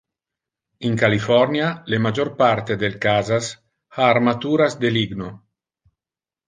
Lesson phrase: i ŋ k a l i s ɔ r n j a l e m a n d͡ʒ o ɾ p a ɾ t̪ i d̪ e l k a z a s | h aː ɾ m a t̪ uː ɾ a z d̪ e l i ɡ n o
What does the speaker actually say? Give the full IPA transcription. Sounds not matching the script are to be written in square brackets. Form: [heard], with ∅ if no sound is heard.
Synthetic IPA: i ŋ k a l i [f] ɔ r n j a l e m a [∅] d͡ʒ o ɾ p a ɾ t̪ [e] d̪ e l k a z a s | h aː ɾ m a t̪ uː ɾ a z d̪ e l i ɡ n o